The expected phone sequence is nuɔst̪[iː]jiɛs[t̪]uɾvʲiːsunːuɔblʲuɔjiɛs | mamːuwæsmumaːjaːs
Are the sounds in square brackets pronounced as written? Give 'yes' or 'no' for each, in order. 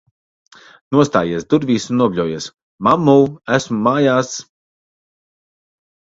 no, no

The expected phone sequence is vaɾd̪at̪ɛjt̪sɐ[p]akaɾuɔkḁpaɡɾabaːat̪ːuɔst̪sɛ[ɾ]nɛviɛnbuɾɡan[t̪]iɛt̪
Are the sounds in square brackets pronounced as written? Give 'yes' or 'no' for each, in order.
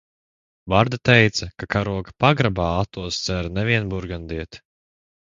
no, yes, no

